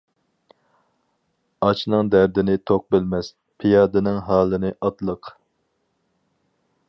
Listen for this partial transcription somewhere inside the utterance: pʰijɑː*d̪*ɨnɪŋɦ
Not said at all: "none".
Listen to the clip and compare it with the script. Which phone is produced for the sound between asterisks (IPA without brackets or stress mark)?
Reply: d̪